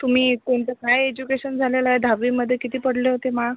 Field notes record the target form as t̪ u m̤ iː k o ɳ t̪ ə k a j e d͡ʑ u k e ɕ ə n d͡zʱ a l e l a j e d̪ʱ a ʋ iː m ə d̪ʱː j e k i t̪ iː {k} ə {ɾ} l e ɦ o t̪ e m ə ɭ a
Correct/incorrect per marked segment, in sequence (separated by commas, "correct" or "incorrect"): incorrect, incorrect